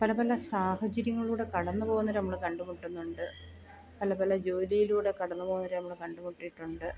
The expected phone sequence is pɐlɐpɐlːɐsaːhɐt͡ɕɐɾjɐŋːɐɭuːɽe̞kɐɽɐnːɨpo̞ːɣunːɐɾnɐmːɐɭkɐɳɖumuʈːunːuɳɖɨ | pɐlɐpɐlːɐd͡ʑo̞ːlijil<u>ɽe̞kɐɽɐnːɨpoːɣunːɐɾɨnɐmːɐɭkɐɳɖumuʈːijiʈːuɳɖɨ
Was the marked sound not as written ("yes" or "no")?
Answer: yes